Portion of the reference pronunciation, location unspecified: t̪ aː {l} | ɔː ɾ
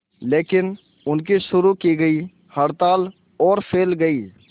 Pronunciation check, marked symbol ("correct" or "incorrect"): correct